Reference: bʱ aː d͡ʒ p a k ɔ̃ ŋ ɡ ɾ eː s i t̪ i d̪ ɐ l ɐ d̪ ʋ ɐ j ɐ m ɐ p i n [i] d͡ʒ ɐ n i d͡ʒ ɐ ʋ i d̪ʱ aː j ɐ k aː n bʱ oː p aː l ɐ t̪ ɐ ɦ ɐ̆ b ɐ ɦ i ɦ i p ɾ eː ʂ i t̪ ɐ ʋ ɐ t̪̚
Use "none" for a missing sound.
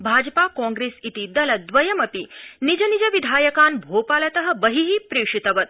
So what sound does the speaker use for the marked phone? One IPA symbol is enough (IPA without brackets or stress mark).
i